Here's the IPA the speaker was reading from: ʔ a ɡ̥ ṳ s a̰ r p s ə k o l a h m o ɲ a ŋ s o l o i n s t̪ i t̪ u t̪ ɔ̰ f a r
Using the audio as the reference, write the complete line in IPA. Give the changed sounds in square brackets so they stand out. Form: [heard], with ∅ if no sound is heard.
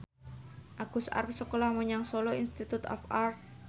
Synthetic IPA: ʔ a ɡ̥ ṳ s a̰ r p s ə k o l a h m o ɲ a ŋ s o l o i n s t̪ i t̪ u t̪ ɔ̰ f a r